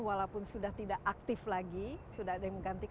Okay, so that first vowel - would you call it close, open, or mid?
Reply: open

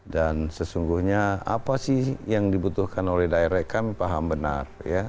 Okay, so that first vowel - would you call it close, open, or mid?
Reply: open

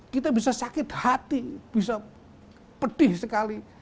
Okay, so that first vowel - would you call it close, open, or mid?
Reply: close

